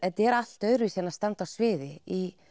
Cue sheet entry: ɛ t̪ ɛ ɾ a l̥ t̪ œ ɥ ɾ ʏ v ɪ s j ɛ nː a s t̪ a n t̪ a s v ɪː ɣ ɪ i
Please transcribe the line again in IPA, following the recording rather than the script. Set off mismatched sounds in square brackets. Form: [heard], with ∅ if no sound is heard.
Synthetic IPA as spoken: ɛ t̪ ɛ ɾ a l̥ t̪ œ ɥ ɾ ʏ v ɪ s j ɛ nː a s t̪ a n t̪ a s v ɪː [ð] ɪ i